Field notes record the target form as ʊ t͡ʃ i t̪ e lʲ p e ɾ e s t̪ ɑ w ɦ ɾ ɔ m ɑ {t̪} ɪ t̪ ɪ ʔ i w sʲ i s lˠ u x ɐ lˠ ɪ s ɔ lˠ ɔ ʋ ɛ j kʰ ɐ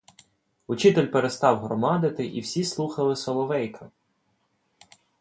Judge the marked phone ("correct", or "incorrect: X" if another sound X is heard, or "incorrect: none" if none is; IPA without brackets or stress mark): incorrect: d̪